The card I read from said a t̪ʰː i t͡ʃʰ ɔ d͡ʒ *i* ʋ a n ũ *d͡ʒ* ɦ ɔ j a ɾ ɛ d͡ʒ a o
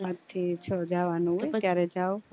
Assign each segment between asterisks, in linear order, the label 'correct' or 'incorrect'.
incorrect: a, incorrect: none

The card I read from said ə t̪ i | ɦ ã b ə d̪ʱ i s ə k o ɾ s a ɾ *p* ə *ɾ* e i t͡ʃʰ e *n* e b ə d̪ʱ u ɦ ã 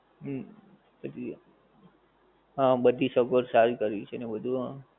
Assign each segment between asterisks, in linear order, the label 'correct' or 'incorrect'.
incorrect: k, correct, correct

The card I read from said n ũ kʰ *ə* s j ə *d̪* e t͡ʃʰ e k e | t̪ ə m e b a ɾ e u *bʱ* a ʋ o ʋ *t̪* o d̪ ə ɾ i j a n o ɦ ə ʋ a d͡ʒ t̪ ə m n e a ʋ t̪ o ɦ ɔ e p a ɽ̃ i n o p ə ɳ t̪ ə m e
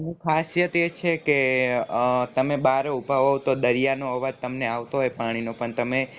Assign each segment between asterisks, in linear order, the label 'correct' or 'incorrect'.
incorrect: a, incorrect: t̪, correct, correct

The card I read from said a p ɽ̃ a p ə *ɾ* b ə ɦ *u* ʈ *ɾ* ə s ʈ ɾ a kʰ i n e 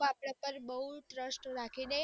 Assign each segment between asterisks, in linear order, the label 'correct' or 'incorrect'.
correct, correct, correct

